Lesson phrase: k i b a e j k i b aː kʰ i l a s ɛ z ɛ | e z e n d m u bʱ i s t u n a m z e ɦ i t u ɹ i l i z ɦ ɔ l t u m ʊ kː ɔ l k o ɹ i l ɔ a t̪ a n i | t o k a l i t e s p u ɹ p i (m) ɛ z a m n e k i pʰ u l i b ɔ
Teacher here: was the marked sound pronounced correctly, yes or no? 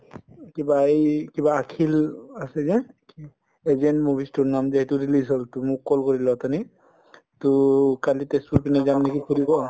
no